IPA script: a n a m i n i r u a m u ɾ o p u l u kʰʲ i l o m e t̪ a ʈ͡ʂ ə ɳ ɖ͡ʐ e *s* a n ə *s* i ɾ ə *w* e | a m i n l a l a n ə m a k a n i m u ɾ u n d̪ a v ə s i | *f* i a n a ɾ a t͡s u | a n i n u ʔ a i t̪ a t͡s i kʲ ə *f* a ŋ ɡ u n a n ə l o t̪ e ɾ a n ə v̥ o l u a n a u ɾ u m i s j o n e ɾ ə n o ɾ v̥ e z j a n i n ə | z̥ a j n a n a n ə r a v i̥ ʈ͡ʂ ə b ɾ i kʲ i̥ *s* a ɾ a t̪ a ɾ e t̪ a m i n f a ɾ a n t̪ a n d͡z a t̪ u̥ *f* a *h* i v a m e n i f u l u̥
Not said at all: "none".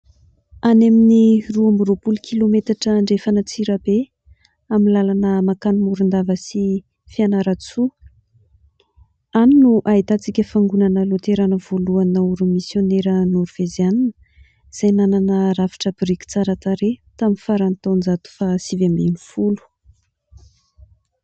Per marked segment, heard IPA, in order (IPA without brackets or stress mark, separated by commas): f, t͡s, b, f, f, t͡s, f, s